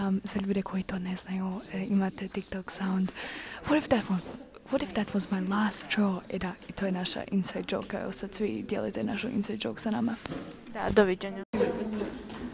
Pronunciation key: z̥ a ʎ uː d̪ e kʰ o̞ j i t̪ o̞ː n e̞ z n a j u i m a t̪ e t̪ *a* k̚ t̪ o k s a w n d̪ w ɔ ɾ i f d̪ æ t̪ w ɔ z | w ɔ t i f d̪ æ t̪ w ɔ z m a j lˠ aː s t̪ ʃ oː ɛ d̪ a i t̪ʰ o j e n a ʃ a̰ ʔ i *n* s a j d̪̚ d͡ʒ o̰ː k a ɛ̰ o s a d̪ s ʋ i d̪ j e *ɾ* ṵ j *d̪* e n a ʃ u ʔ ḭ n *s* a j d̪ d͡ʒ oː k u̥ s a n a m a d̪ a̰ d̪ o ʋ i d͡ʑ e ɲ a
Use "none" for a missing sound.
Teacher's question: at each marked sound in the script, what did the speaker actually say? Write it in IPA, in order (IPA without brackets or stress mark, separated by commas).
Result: i, n, l, t̪, s